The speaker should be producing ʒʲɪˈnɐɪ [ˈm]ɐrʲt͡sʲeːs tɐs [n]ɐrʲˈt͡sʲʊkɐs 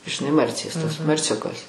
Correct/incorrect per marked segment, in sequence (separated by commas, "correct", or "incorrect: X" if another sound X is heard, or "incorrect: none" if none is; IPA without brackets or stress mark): correct, incorrect: m